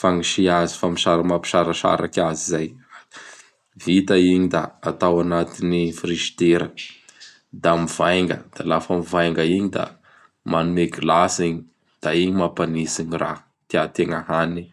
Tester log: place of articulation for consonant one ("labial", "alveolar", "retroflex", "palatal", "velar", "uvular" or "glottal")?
labial